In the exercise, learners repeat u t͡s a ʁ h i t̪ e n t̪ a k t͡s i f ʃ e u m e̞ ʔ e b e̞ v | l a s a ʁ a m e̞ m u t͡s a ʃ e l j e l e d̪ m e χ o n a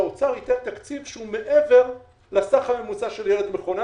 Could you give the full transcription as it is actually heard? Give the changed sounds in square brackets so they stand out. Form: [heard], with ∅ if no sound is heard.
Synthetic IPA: [o] t͡s a ʁ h i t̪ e n t̪ a k t͡s i [v] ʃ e u m e̞ ʔ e [v] e̞ [ʁ] | l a s a [χ] a m e̞ m u t͡s a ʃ e l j e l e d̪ m e χ o n a